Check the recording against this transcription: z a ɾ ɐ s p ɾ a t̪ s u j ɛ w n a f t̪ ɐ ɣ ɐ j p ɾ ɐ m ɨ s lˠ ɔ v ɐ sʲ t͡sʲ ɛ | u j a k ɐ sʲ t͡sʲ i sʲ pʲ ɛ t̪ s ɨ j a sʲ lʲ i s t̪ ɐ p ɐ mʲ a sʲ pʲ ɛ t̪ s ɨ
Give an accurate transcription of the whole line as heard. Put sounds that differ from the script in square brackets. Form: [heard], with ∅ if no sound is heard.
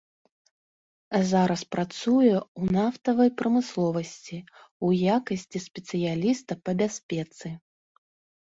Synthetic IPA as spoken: z a ɾ ɐ s p ɾ a t̪ s u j ɛ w n a f t̪ ɐ [v] ɐ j p ɾ ɐ m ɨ s lˠ ɔ v ɐ sʲ t͡sʲ [i] | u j a k ɐ sʲ t͡sʲ i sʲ pʲ ɛ t̪ s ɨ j a [∅] lʲ i s t̪ ɐ p ɐ [bʲ] a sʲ pʲ ɛ t̪ s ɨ